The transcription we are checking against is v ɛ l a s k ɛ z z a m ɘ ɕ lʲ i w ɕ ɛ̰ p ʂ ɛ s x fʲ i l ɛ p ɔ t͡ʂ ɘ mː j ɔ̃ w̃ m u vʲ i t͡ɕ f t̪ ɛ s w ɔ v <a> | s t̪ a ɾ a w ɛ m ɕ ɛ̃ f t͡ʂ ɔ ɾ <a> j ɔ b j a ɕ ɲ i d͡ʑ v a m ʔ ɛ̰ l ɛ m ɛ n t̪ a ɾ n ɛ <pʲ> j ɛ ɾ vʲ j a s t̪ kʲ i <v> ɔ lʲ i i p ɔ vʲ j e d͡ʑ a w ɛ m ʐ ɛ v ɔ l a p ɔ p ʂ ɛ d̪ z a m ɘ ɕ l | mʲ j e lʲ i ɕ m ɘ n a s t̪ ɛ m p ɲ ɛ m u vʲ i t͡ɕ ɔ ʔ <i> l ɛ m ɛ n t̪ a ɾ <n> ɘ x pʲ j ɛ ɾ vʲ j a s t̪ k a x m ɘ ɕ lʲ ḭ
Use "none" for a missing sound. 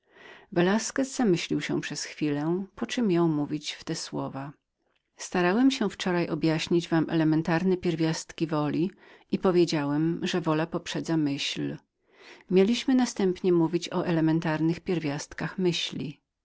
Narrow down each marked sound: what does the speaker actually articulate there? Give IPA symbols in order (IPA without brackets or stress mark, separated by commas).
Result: a, a, pʲ, v, ɛ, n